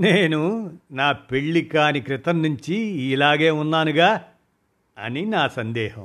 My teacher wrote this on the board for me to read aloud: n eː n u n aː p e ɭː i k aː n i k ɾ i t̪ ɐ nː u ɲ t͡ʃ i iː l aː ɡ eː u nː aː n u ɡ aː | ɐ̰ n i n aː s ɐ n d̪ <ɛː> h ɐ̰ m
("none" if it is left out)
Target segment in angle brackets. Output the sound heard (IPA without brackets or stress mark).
ɛː